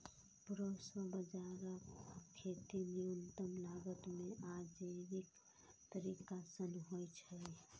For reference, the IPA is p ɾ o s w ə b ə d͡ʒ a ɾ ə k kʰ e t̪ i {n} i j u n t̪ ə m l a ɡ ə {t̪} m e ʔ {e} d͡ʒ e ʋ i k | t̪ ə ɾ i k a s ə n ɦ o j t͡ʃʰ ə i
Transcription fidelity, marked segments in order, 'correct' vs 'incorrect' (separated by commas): correct, correct, incorrect